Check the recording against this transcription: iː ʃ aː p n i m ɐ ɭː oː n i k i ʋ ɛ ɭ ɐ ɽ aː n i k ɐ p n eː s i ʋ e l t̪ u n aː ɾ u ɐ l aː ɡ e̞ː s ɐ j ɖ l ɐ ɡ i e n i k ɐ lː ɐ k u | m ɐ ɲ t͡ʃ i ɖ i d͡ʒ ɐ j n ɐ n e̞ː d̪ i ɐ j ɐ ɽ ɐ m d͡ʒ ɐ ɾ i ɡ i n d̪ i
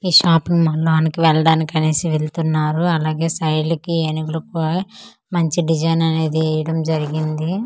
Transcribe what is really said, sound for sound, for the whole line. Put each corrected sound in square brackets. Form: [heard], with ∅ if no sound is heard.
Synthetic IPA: iː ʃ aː p n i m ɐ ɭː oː n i k i ʋ ɛ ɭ ɐ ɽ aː n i k ɐ [∅] n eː s i ʋ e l t̪ u [nː] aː ɾ u ɐ l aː ɡ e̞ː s ɐ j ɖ l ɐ [k] i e n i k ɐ [l] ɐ k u | m ɐ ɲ t͡ʃ i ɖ i d͡ʒ ɐ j n ɐ n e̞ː d̪ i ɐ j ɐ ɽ ɐ m d͡ʒ ɐ ɾ i ɡ i n d̪ i